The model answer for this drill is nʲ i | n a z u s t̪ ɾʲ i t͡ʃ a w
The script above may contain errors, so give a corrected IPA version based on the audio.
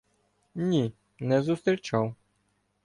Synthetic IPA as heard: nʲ i | n ɛ z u s t̪ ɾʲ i t͡ʃ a w